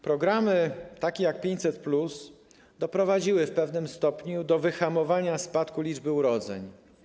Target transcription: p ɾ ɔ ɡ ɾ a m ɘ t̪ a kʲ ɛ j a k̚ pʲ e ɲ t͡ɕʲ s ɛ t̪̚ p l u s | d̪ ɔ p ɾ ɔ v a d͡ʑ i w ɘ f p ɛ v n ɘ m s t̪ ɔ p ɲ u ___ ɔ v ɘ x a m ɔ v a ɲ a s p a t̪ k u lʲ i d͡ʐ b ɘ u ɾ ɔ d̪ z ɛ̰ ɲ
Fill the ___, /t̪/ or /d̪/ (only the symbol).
d̪